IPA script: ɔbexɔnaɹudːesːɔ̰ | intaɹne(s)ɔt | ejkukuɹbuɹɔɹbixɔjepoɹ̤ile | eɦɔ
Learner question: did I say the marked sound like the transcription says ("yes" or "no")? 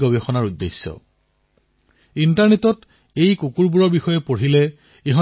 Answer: no